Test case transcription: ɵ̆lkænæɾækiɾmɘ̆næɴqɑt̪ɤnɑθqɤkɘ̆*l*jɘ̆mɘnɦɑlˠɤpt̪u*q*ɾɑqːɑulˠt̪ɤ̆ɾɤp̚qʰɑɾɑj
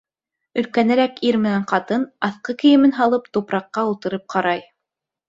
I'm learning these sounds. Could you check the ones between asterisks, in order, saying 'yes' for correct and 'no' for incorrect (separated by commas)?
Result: no, no